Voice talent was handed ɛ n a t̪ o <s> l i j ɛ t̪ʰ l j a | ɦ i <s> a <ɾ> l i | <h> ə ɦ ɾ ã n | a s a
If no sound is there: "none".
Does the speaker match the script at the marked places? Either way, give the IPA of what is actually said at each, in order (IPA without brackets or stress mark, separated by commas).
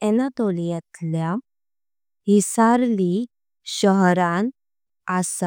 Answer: none, s, ɾ, ɕ